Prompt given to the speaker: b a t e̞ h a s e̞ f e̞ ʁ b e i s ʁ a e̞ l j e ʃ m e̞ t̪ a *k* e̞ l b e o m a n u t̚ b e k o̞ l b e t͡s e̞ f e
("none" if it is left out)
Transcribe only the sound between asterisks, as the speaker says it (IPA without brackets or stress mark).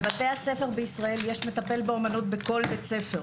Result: p